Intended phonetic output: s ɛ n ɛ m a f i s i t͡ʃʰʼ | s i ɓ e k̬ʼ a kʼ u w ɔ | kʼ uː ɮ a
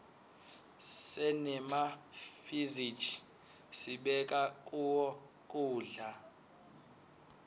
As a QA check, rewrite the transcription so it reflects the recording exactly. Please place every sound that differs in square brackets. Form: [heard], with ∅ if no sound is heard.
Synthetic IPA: s ɛ n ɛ m a f i [z] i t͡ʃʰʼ | s i ɓ [ɛ] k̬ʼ a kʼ u w ɔ | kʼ uː ɮ a